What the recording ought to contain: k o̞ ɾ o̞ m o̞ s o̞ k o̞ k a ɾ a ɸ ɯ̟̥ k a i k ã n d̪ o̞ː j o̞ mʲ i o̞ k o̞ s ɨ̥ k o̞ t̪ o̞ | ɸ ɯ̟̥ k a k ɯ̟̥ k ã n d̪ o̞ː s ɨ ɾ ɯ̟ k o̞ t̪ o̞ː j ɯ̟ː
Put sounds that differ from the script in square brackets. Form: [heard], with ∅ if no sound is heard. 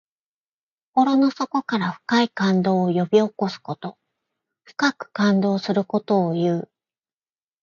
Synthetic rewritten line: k o̞ ɾ o̞ [n] o̞ s o̞ k o̞ k a ɾ a ɸ ɯ̟̥ k a i k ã n d̪ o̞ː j o̞ [bʲ] i o̞ k o̞ s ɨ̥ k o̞ t̪ o̞ | ɸ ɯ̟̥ k a k ɯ̟̥ k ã n d̪ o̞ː s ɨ ɾ ɯ̟ k o̞ t̪ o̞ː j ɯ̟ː